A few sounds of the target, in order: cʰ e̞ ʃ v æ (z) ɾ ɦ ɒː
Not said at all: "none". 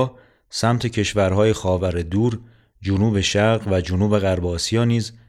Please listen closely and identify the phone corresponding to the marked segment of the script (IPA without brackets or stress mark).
none